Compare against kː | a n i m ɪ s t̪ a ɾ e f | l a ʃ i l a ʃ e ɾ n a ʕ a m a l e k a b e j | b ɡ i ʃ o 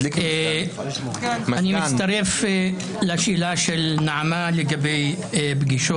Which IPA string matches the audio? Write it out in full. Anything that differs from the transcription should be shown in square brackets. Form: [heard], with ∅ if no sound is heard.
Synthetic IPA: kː | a n i m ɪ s t̪ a ɾ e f | l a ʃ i l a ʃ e [l] n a ʕ a m a l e [ɡ] a b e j | b ɡ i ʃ o